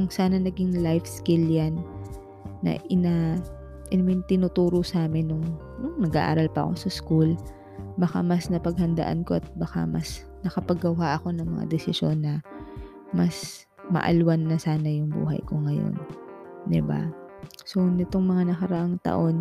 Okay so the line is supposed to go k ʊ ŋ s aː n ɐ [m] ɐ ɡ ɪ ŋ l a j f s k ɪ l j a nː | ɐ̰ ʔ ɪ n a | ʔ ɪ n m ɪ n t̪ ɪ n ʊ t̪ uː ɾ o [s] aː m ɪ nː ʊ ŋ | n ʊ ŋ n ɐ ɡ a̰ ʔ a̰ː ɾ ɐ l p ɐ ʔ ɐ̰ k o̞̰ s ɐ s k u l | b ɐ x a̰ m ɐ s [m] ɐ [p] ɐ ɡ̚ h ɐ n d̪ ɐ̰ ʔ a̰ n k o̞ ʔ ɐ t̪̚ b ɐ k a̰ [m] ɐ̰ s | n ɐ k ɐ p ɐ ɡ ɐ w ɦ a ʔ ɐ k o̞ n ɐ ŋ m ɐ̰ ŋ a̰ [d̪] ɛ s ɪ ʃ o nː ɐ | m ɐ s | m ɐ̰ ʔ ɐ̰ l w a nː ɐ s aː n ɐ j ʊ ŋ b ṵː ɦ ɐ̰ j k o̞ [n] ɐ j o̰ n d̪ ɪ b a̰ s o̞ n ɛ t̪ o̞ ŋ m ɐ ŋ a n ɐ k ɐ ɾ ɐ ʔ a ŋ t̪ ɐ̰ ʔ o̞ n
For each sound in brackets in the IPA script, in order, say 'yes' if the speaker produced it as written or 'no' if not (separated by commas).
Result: no, yes, no, yes, yes, yes, no